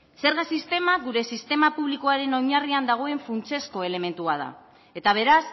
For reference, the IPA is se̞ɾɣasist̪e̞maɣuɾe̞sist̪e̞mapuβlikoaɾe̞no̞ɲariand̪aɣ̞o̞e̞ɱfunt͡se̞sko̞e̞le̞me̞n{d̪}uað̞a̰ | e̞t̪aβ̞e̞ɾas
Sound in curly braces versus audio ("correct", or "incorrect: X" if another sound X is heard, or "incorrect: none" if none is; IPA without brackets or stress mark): incorrect: t̪